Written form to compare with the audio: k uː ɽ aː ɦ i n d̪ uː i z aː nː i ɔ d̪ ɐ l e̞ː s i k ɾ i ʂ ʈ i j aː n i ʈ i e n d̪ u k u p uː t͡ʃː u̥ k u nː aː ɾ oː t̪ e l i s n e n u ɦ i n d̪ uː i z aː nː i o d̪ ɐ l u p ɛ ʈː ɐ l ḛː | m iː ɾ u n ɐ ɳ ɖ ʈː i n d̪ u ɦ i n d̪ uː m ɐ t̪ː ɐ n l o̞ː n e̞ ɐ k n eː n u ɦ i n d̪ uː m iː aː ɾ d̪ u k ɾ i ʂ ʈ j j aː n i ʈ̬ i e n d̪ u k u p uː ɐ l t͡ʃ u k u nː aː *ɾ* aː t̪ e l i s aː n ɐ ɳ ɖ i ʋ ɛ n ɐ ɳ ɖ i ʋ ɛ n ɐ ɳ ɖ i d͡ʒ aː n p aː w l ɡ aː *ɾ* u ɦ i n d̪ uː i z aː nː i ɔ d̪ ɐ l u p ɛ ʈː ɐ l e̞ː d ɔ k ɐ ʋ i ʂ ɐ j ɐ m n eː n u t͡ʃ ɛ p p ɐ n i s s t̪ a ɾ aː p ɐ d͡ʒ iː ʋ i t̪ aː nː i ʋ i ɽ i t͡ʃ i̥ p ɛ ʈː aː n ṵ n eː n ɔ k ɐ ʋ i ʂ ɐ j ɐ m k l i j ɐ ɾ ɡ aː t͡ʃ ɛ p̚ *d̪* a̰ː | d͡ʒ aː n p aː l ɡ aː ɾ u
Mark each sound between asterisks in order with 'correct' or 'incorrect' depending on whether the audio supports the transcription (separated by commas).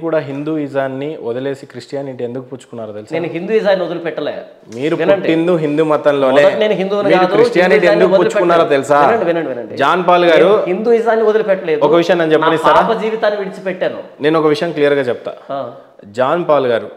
correct, correct, incorrect